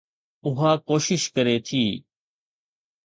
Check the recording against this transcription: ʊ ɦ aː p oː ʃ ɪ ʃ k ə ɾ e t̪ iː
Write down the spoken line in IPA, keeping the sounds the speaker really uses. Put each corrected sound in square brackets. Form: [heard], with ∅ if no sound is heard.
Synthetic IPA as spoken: ʊ ɦ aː [k] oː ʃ ɪ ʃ k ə ɾ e [t̪ʰ] iː